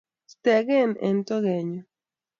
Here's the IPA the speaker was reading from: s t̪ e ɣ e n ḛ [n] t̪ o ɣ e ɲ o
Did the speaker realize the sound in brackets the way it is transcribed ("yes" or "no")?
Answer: yes